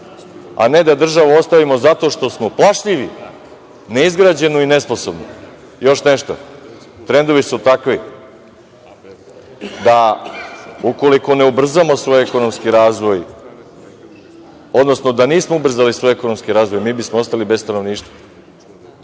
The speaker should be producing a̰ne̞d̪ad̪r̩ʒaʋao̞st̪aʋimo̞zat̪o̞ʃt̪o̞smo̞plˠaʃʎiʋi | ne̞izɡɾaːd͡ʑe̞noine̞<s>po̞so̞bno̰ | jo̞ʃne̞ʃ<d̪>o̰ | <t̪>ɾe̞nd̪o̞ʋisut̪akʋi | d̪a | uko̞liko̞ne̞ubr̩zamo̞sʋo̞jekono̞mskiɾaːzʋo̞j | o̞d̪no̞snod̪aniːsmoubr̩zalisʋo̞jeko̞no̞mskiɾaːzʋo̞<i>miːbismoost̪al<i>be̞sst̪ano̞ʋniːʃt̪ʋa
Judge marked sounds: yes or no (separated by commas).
yes, no, yes, no, yes